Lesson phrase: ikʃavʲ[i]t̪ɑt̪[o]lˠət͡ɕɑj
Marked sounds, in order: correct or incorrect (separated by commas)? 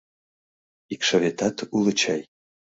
incorrect, incorrect